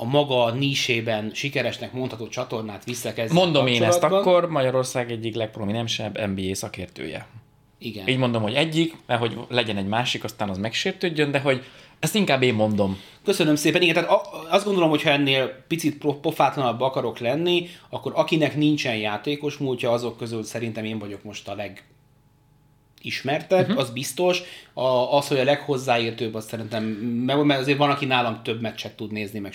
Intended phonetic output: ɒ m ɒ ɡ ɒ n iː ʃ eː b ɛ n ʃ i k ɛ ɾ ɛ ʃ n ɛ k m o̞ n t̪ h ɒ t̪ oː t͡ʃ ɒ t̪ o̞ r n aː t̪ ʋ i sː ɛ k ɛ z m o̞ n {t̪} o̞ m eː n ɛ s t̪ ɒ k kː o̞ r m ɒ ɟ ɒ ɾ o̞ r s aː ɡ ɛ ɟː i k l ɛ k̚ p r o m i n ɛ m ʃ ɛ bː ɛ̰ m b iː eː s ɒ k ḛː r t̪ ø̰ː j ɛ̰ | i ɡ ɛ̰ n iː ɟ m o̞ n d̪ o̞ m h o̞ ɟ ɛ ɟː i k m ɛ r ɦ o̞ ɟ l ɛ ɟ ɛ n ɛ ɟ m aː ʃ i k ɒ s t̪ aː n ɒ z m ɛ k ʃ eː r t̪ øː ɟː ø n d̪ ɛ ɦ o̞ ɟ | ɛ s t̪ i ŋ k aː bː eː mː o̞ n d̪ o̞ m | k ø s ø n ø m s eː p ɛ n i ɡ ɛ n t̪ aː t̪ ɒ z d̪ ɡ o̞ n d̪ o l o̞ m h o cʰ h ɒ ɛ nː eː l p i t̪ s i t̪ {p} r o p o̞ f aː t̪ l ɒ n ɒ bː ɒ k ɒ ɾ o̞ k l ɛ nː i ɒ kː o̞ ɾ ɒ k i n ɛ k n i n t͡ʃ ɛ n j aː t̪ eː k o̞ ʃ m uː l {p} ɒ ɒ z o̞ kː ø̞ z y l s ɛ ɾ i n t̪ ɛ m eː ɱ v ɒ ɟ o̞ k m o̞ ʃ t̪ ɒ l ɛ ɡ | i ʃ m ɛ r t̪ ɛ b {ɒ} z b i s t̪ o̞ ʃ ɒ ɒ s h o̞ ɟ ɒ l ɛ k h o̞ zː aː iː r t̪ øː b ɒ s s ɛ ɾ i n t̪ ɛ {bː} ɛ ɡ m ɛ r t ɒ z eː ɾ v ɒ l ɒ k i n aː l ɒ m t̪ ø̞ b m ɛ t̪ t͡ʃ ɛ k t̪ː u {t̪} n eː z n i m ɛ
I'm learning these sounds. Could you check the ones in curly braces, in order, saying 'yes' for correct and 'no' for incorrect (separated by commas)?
no, yes, no, yes, no, no